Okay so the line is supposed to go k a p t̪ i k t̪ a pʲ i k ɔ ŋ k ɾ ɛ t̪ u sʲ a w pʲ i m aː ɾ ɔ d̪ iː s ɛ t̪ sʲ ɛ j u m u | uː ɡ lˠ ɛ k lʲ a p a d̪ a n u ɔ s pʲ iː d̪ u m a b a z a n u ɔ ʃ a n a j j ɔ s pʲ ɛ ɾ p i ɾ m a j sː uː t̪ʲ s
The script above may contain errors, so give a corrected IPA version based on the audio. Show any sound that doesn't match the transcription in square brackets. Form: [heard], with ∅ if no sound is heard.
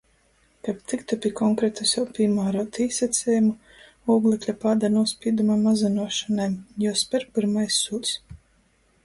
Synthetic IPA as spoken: k a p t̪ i k t̪ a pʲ i k ɔ ŋ k ɾ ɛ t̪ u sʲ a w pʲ i m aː ɾ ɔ [t̪] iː s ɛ t̪ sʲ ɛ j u m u | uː ɡ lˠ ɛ k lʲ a p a d̪ a n u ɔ s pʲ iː d̪ u m a [m] a z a n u ɔ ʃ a n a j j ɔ s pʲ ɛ ɾ p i ɾ m a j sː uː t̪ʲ s